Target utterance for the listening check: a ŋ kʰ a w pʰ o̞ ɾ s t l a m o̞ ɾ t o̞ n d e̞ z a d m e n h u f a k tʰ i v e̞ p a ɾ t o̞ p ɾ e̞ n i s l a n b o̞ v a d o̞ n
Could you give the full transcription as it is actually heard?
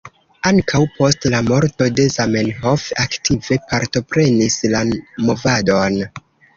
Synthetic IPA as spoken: a ŋ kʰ a w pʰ o̞ s t l a m o̞ ɾ t o̞ d e̞ z a m e n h o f a k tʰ i v e̞ p a ɾ t o̞ p ɾ e̞ n i s l a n m o̞ v a d o̞ n